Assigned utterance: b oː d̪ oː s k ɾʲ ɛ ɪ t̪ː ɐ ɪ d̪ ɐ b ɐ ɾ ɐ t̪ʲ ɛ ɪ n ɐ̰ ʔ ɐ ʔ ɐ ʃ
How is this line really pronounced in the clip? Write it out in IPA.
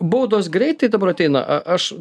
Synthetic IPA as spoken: b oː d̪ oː s ɡ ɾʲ ɛ ɪ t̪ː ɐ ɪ d̪ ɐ b ɐ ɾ ɐ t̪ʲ ɛ ɪ n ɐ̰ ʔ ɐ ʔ ɐ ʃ

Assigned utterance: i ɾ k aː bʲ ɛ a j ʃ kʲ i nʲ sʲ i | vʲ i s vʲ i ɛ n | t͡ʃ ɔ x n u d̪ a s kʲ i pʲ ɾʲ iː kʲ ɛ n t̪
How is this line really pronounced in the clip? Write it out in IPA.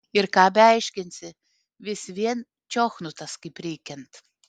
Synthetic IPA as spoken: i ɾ k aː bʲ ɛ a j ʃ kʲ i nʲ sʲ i | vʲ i s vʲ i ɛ n | t͡ʃ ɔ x n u t̪ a s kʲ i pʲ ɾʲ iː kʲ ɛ n t̪

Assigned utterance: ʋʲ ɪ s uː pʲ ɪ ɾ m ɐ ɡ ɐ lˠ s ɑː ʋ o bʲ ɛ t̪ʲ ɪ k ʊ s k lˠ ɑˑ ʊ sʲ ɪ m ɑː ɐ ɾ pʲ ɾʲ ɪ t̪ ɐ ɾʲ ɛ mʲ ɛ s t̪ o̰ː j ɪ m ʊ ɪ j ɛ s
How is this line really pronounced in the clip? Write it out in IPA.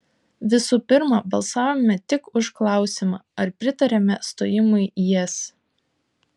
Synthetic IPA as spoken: ʋʲ ɪ s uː pʲ ɪ ɾ m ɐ b ɐ lˠ s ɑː ʋ o mʲ ɛ t̪ʲ ɪ k ʊ ʃ k lˠ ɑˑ ʊ sʲ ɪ m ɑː ɐ ɾ pʲ ɾʲ ɪ t̪ ɐ ɾʲ ɛ mʲ ɛ s t̪ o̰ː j ɪ m ʊ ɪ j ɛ s

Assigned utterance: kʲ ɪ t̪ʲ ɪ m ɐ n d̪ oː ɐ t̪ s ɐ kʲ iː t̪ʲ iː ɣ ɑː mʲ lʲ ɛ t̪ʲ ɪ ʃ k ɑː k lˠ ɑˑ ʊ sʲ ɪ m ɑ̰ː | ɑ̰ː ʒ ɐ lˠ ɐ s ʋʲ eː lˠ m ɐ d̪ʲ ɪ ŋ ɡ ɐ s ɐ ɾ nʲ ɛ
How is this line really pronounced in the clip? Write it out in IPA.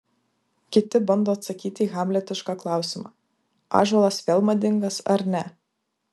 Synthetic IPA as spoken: kʲ ɪ t̪ʲ ɪ b ɐ n d̪ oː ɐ t̪ s ɐ kʲ iː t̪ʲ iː ɣ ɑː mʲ lʲ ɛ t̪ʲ ɪ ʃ k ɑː k lˠ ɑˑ ʊ sʲ ɪ m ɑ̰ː | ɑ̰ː ʒ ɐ lˠ ɐ s ʋʲ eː lˠ m ɐ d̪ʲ ɪ ŋ ɡ ɐ s ɐ ɾ nʲ ɛ

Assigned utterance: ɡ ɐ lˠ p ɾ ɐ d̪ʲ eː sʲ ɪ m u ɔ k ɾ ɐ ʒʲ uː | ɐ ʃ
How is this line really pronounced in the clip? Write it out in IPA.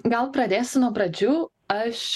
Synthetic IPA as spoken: ɡ ɐ lˠ p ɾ ɐ d̪ʲ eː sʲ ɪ n u ɔ p ɾ ɐ d͡ʒʲ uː | ɐ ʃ

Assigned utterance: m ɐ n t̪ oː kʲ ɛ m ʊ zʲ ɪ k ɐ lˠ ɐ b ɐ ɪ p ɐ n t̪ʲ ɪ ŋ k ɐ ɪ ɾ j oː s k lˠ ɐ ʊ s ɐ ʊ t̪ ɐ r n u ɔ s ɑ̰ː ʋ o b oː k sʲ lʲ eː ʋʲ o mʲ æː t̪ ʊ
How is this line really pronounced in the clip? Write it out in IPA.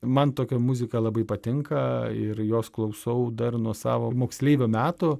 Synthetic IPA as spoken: m ɐ n t̪ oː kʲ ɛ m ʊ zʲ ɪ k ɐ lˠ ɐ b ɐ ɪ p ɐ t̪ʲ ɪ ŋ k ɐ ɪ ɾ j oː s k lˠ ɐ ʊ s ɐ ʊ d̪ ɐ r n u ɔ s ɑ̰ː ʋ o m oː k sʲ lʲ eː ʋʲ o mʲ æː t̪ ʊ

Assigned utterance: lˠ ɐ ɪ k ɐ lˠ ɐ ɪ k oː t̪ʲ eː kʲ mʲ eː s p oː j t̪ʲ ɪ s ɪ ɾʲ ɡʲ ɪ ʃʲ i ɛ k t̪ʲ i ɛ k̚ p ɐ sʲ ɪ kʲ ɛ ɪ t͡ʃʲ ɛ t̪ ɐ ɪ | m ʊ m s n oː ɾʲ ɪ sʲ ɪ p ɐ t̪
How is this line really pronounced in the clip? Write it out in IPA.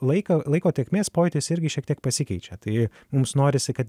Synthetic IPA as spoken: lˠ ɐ ɪ k ɐ lˠ ɐ ɪ k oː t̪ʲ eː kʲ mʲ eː s p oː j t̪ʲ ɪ s ɪ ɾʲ ɡʲ ɪ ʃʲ i ɛ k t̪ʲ i ɛ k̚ p ɐ sʲ ɪ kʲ ɛ ɪ t͡ʃʲ ɛ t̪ ɐ ɪ | m ʊ m s n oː ɾʲ ɪ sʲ ɪ k ɐ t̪

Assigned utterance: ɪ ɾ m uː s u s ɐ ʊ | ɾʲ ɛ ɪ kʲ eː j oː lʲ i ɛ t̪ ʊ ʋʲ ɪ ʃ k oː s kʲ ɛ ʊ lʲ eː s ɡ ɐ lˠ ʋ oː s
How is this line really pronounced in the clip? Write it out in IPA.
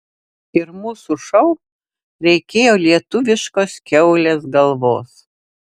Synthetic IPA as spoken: ɪ ɾ m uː s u ʃ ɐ ʊ | ɾʲ ɛ ɪ kʲ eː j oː lʲ i ɛ t̪ ʊ ʋʲ ɪ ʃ k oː s kʲ ɛ ʊ lʲ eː s ɡ ɐ lˠ ʋ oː s

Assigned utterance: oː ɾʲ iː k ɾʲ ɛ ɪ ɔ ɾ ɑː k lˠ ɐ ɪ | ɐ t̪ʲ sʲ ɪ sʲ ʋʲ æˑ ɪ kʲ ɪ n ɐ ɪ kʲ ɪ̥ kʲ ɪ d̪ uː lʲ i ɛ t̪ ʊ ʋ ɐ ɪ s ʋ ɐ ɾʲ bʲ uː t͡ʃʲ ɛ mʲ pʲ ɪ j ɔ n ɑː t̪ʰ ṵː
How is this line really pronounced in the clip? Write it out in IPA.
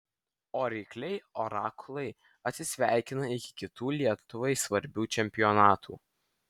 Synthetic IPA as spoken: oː ɾʲ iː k lʲ ɛ ɪ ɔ ɾ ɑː k lˠ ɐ ɪ | ɐ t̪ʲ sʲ ɪ sʲ ʋʲ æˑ ɪ kʲ ɪ n ɐ ɪ kʲ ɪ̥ kʲ ɪ t̪ uː lʲ i ɛ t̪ ʊ ʋ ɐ ɪ s ʋ ɐ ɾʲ bʲ uː t͡ʃʲ ɛ mʲ pʲ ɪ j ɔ n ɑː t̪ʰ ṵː

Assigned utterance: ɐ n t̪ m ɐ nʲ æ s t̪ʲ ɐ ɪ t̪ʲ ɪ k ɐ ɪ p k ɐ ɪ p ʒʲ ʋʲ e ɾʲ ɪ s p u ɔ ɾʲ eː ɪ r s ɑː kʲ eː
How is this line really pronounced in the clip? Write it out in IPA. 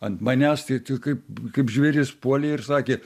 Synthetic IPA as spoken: ɐ n t̪ m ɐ nʲ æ s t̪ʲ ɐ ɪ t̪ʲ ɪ k ɐ ɪ p k ɐ ɪ p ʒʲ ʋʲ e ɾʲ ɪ s p u ɔ lʲ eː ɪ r s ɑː kʲ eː

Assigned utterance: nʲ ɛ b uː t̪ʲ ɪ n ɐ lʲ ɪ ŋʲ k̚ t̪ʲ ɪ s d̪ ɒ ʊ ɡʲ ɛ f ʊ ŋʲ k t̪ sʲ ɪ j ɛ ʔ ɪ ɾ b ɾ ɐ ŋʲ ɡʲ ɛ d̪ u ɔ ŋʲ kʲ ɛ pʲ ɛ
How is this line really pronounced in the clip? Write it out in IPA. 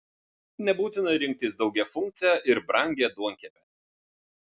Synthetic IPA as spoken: nʲ ɛ b uː t̪ʲ ɪ n ɐ ɾʲ ɪ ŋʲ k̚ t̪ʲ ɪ s d̪ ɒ ʊ ɡʲ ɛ f ʊ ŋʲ k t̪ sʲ ɪ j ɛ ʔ ɪ ɾ b ɾ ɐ ŋʲ ɡʲ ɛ d̪ u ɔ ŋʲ kʲ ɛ pʲ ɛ

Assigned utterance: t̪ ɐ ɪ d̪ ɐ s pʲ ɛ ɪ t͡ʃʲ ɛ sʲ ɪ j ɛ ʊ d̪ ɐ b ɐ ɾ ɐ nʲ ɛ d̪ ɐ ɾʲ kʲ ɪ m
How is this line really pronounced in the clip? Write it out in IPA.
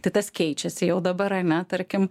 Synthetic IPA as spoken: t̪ ɐ ɪ t̪ ɐ s kʲ ɛ ɪ t͡ʃʲ ɛ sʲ ɪ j ɛ ʊ d̪ ɐ b ɐ ɾ ɐ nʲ ɛ t̪ ɐ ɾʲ kʲ ɪ m

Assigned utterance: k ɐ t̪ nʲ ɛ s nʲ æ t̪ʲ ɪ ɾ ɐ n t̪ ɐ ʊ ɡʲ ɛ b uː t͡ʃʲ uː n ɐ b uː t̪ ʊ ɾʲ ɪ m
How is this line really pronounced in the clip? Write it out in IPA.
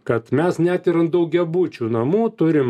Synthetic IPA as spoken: k ɐ t̪ mʲ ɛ s nʲ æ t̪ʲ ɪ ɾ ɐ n d̪ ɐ ʊ ɡʲ ɛ b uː t͡ʃʲ uː n ɐ m uː t̪ ʊ ɾʲ ɪ m

